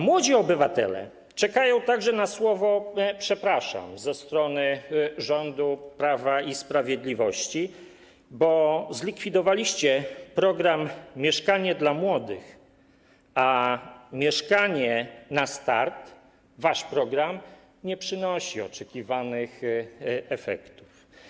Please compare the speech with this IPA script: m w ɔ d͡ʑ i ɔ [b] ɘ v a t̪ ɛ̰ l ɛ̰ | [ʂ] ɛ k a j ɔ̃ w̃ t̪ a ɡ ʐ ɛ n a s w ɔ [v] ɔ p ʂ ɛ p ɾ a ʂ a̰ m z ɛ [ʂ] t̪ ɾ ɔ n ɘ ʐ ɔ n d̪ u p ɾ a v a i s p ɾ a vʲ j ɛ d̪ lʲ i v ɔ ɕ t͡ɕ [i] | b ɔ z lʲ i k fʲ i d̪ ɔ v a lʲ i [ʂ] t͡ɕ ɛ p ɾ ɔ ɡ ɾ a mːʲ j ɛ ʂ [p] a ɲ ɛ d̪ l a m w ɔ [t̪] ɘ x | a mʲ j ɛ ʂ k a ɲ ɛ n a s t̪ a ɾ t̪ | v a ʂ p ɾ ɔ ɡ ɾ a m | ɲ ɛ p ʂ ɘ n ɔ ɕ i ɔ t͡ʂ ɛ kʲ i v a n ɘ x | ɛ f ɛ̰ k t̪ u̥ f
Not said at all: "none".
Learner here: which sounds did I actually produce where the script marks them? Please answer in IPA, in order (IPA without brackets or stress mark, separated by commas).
b, t͡ʂ, v, s, i, ɕ, k, d̪